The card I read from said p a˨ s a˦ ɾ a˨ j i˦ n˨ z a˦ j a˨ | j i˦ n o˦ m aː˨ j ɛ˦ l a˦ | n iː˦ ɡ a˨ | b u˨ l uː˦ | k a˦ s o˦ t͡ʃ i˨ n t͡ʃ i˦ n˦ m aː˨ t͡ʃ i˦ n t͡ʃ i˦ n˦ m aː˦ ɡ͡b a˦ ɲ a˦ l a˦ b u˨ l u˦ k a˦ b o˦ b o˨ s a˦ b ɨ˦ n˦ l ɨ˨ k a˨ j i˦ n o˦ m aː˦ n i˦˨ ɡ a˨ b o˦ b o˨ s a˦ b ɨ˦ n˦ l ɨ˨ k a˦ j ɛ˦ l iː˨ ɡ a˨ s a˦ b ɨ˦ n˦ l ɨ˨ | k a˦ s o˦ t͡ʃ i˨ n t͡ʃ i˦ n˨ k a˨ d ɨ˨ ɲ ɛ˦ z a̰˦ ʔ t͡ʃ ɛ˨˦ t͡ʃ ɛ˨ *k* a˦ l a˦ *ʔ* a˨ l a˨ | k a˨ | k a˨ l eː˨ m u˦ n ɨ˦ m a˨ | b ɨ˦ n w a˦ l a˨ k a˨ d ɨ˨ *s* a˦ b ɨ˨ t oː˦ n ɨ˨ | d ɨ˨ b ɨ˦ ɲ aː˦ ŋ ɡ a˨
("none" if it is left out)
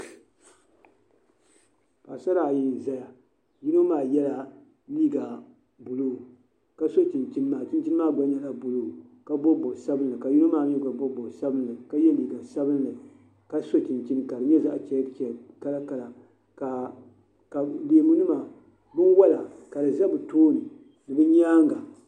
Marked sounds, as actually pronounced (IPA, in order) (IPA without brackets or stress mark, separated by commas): k, k, z